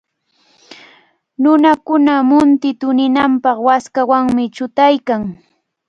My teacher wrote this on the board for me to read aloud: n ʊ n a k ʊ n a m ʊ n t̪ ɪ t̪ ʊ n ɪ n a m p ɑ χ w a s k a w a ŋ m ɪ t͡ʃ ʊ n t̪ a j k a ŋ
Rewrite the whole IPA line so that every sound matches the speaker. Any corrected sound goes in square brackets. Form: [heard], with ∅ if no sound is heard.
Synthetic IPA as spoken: n ʊ n a k ʊ n a m ʊ n t̪ ɪ t̪ ʊ n ɪ n a m p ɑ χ w a s k a w a ŋ m ɪ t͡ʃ ʊ [∅] t̪ a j k a ŋ